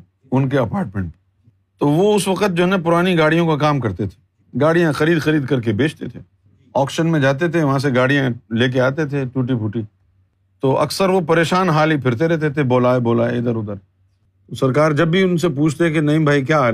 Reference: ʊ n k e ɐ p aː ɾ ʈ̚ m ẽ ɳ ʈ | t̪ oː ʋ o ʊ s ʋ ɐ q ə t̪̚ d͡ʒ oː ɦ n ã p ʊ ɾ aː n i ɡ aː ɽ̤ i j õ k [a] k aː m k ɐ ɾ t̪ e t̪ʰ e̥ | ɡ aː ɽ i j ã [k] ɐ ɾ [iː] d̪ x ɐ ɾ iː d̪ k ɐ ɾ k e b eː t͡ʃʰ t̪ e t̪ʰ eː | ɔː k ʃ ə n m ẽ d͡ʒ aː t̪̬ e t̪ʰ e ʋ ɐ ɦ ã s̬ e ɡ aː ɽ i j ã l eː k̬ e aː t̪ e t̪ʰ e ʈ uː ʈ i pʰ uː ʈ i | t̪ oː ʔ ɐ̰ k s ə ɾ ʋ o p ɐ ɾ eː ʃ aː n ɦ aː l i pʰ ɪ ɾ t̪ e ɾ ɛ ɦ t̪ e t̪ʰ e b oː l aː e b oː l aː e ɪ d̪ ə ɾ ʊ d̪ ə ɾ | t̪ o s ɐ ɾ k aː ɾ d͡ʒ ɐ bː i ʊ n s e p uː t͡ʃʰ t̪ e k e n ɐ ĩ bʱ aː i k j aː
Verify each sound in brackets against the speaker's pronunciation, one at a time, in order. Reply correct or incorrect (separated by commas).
correct, incorrect, correct